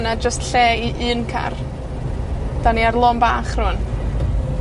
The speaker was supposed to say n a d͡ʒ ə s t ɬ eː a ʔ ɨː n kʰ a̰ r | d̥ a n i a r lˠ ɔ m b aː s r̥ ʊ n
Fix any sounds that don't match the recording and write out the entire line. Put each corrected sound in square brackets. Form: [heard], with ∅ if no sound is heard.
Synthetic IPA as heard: n a d͡ʒ ə s t ɬ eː [i] ʔ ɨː n kʰ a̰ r | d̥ a n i a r lˠ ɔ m b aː [χ] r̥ ʊ n